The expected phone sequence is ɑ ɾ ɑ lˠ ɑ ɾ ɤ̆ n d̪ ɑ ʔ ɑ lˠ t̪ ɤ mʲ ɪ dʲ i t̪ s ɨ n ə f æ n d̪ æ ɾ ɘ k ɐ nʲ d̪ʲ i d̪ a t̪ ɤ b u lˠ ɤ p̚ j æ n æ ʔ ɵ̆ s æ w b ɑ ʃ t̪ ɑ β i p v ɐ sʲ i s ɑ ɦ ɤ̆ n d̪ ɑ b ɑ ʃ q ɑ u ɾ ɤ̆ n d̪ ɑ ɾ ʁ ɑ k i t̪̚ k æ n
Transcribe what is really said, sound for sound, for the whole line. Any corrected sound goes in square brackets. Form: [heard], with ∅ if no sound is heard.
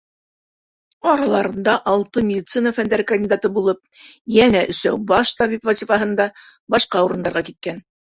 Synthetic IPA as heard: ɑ ɾ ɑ lˠ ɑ ɾ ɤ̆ n d̪ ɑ ʔ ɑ lˠ t̪ ɤ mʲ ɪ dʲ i t̪ s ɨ n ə f æ n d̪ æ ɾ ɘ k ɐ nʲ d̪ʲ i d̪ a t̪ ɤ b u lˠ ɤ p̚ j æ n æ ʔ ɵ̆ s æ w b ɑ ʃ t̪ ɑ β i p v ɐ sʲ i [f] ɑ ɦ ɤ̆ n d̪ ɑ b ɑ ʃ q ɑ u ɾ ɤ̆ n d̪ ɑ ɾ ʁ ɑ k i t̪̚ k æ n